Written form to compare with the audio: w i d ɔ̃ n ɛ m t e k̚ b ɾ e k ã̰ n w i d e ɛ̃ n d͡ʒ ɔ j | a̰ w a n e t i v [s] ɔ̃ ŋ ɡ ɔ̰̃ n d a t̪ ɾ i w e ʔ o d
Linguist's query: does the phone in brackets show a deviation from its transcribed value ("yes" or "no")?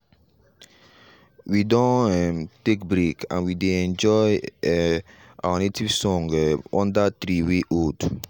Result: no